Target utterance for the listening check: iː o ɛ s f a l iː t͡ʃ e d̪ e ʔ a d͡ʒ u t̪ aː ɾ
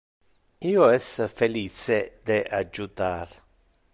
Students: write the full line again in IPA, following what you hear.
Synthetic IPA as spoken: iː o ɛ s f e l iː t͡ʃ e d̪ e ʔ a d͡ʒ u t̪ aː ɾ